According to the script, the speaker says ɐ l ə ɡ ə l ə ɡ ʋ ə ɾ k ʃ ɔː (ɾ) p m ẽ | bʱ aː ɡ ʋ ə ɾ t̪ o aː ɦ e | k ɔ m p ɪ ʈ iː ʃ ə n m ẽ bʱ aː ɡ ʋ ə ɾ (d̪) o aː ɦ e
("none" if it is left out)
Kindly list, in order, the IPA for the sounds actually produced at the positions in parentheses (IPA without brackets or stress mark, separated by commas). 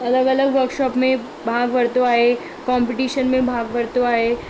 none, t̪